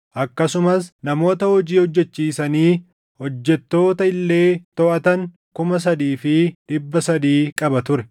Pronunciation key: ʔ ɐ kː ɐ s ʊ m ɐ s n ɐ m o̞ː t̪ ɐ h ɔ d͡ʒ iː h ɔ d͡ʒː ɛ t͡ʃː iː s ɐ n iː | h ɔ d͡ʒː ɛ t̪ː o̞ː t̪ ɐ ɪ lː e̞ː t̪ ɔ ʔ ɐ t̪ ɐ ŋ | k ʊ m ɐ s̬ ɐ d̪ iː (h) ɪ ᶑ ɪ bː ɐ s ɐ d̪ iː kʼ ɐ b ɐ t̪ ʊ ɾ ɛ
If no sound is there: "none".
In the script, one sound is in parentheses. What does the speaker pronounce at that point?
f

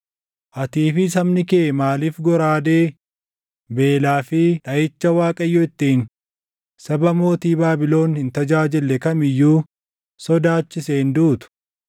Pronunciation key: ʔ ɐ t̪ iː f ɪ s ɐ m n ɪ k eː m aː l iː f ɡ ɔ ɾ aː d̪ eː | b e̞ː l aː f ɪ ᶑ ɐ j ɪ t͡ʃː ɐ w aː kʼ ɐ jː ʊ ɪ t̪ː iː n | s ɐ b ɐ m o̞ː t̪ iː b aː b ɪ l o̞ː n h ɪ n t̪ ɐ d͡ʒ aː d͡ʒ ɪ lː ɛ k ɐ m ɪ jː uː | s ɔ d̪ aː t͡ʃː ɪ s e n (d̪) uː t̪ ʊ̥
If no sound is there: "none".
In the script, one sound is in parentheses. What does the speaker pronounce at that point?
d̪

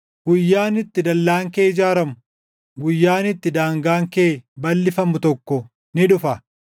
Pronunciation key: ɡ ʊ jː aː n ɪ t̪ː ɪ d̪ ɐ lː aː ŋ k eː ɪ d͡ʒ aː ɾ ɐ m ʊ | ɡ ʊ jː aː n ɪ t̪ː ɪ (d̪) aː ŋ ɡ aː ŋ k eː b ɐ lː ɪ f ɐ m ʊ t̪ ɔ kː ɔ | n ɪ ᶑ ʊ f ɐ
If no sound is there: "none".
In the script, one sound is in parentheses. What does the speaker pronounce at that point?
d̪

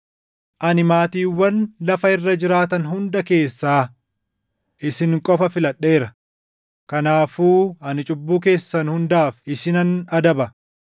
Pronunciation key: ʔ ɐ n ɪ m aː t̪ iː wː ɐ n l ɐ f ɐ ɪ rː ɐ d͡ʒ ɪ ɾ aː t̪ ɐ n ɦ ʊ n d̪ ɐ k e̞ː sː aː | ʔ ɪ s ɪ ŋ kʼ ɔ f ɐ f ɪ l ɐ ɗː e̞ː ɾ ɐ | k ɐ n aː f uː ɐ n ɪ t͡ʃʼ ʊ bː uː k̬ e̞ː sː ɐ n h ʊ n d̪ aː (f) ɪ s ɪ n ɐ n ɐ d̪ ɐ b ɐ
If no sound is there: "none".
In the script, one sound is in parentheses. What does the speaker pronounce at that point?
f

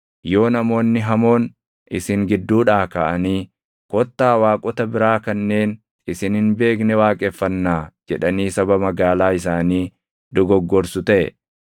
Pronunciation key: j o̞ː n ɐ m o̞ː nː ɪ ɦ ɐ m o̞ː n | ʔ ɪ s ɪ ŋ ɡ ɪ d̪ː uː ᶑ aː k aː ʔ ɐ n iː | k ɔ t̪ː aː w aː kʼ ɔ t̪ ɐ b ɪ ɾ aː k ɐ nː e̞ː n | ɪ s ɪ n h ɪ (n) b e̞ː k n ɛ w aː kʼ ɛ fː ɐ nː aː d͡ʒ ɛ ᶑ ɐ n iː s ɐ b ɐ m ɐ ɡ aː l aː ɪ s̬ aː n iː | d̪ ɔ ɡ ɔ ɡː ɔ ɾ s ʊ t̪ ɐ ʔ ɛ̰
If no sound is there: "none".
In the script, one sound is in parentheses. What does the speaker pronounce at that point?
n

